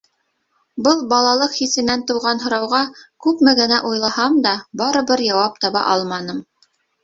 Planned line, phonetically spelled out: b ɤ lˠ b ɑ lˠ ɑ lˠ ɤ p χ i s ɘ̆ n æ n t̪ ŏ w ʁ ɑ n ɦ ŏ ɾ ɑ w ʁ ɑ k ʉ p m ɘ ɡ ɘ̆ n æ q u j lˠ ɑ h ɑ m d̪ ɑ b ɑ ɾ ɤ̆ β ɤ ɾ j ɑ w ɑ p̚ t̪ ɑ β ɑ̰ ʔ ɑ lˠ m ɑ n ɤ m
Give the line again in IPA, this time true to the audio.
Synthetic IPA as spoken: b ɤ lˠ b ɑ lˠ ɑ lˠ ɤ q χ i s ɘ̆ n æ n t̪ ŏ w ʁ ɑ n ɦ ŏ ɾ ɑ w ʁ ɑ k ʉ p m ɘ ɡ ɘ̆ n æ ʔ u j lˠ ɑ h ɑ m d̪ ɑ b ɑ ɾ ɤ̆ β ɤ ɾ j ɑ w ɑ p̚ t̪ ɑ β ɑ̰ ʔ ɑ lˠ m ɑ n ɤ m